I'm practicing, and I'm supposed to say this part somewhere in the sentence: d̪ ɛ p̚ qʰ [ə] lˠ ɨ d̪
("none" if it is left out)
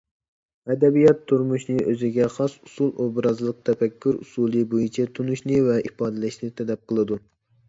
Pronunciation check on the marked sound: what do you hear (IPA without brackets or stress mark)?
ə